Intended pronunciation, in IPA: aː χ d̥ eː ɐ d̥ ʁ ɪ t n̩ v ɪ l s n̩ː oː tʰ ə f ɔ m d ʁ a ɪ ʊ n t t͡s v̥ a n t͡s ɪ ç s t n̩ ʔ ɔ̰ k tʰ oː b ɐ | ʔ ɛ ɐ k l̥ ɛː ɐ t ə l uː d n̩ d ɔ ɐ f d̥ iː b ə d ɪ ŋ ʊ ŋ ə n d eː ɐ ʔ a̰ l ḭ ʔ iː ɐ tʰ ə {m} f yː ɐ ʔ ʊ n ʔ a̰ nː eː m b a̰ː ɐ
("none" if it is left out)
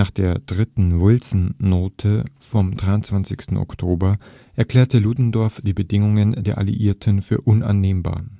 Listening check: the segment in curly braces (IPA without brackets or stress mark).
n